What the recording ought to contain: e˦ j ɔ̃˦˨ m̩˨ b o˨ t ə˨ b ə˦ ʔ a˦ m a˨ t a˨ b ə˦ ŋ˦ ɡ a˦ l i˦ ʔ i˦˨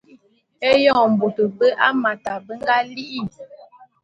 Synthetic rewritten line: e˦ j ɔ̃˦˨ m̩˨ b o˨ t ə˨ b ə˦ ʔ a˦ m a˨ t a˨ b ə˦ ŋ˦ ɡ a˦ l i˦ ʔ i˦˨